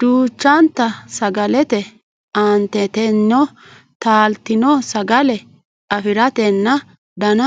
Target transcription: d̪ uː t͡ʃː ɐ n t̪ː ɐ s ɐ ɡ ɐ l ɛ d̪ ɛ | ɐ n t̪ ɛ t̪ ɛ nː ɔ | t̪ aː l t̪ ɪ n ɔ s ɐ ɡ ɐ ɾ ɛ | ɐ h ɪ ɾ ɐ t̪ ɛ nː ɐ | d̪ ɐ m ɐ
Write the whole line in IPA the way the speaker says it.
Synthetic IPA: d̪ uː t͡ʃː ɐ n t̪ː ɐ s ɐ ɡ ɐ l ɛ t̪ ɛ | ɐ n t̪ ɛ t̪ ɛ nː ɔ | t̪ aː l t̪ ɪ n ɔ s ɐ ɡ ɐ l ɛ | ɐ f ɪ ɾ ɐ t̪ ɛ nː ɐ | d̪ ɐ n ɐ